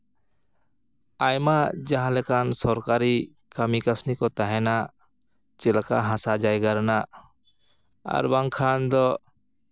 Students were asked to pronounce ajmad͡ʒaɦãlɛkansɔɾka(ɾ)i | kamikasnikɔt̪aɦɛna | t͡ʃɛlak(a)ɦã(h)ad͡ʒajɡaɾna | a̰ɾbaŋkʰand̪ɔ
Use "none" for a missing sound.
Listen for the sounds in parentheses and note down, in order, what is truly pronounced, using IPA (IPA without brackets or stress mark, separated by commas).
ɾ, a, s